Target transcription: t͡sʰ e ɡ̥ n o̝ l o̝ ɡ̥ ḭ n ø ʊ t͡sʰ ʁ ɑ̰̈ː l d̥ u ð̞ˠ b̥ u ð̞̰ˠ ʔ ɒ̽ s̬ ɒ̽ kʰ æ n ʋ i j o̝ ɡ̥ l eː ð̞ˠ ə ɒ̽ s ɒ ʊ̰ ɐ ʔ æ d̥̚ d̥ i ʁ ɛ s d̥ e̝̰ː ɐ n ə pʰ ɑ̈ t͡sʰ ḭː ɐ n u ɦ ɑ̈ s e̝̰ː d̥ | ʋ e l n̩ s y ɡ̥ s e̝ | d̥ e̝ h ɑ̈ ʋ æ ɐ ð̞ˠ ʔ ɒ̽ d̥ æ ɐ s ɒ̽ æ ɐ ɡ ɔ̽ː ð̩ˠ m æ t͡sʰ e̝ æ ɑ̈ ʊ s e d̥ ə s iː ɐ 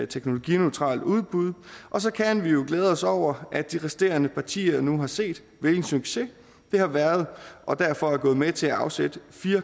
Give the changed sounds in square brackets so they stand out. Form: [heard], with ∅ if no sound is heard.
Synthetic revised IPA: t͡sʰ e ɡ̥ n o̝ l o̝ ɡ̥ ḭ n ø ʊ t͡sʰ ʁ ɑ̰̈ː l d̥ u ð̞ˠ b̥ u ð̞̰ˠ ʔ ɒ̽ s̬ ɒ̽ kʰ æ n ʋ i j o̝ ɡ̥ l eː ð̞ˠ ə ɒ̽ s ɒ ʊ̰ ɐ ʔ æ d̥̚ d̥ i ʁ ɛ s d̥ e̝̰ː ɐ n ə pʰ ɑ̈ t͡sʰ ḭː ɐ n u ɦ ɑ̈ s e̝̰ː d̥ | ʋ e l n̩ s y ɡ̥ s e̝ | d̥ e̝ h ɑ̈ ʋ æ ɐ ð̞ˠ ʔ ɒ̽ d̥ æ ɐ [f] ɒ̽ æ ɐ ɡ ɔ̽ː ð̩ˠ m [e] t͡sʰ e̝ æ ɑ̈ ʊ s e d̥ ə [f] iː ɐ